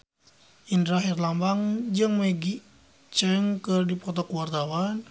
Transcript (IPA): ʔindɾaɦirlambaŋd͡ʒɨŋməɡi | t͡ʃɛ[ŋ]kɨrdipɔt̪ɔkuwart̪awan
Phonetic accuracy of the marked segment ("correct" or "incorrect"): correct